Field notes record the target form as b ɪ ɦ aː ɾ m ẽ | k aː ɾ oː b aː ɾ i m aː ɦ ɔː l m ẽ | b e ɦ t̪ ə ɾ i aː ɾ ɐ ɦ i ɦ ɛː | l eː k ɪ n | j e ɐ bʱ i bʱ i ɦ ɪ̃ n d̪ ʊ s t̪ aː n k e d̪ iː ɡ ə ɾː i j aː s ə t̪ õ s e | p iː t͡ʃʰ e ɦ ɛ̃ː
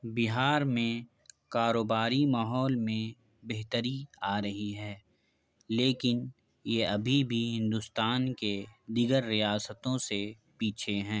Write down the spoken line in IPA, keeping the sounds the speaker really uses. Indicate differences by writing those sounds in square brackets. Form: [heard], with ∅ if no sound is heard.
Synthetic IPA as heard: b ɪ ɦ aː ɾ m ẽ | k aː ɾ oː b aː ɾ i m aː ɦ ɔː l m ẽ | b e ɦ t̪ ə ɾ i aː ɾ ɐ ɦ i ɦ ɛː | l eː k ɪ n | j e ɐ bʱ i bʱ i ɦ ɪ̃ n d̪ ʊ s t̪ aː n k e d̪ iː ɡ ə ɾː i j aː s ə t̪ õ s e | p iː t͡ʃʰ e ɦ ɛ̃ː